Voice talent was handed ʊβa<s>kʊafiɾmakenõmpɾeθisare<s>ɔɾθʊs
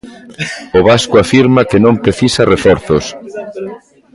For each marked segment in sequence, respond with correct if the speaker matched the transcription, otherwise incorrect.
correct, incorrect

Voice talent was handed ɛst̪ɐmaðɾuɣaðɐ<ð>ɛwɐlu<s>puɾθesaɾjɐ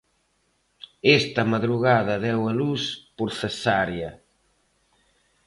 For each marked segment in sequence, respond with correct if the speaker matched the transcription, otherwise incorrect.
correct, correct

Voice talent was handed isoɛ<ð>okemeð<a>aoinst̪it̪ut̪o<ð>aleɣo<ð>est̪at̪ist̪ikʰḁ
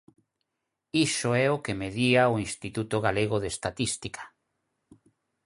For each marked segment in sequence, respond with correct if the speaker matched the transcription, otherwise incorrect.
incorrect, incorrect, incorrect, correct

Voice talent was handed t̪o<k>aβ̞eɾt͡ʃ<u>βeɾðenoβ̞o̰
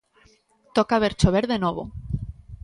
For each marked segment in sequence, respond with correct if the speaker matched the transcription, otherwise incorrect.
correct, incorrect

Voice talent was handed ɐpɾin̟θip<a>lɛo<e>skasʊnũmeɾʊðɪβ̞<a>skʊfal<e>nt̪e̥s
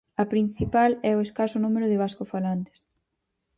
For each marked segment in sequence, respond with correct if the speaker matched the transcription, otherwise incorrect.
correct, correct, correct, incorrect

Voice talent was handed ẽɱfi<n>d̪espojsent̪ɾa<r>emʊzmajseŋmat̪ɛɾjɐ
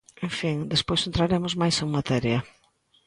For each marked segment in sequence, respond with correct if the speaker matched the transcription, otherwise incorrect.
incorrect, incorrect

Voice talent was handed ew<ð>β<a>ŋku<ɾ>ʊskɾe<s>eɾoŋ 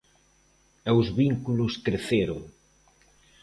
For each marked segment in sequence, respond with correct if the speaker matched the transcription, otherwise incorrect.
incorrect, incorrect, incorrect, incorrect

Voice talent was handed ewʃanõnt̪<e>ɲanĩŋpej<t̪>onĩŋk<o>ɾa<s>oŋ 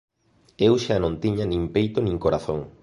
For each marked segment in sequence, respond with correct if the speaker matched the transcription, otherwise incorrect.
incorrect, correct, correct, incorrect

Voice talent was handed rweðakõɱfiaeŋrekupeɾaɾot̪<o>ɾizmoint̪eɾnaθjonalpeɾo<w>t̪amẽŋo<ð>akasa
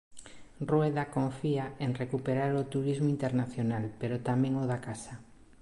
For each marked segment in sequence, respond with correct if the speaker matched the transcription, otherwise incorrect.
incorrect, incorrect, correct

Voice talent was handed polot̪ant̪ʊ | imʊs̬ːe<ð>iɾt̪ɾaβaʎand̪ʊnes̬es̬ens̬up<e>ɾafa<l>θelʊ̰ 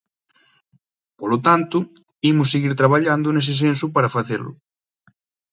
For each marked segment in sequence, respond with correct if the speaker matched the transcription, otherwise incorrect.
incorrect, incorrect, incorrect

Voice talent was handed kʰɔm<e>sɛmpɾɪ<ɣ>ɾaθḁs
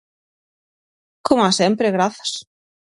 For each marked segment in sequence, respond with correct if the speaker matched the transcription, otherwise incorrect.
incorrect, correct

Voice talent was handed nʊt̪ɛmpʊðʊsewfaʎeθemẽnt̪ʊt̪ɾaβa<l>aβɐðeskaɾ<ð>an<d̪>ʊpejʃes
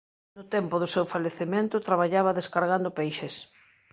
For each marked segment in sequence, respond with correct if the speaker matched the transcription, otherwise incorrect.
incorrect, incorrect, correct

